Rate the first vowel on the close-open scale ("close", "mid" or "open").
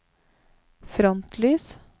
mid